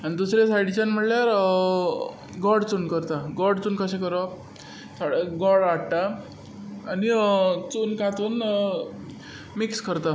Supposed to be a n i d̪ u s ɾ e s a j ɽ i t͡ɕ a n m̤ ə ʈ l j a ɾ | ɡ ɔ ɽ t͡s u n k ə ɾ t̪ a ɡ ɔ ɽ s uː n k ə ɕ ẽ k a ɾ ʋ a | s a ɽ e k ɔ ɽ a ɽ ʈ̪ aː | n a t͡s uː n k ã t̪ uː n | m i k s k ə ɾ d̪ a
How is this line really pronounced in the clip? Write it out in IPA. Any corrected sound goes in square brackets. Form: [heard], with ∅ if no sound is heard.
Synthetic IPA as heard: a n i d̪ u s ɾ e s a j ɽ i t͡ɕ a n m̤ ə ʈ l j a ɾ | ɡ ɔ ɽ t͡s u n k ə ɾ t̪ a ɡ ɔ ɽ [t͡s] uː n k ə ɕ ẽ k [ə] ɾ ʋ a | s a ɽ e [ɡ] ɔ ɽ a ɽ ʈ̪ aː | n [i] t͡s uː n k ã t̪ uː n | m i k s k ə ɾ [t̪] a